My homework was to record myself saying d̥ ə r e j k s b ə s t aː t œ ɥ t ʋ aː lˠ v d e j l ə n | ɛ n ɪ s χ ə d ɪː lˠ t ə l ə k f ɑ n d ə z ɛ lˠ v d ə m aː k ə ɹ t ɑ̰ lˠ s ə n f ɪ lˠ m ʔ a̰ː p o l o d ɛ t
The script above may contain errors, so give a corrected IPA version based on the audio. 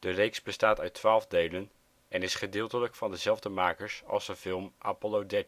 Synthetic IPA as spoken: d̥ ə r e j k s b ə s t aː t œ ɥ t ʋ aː lˠ v d e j l ə n | ɛ n ɪ s χ ə d ɪː lˠ t ə l ə k f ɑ n d ə z ɛ lˠ v d ə m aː k ə ɹ s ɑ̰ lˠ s ə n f ɪ lˠ m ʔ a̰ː p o l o d ɛ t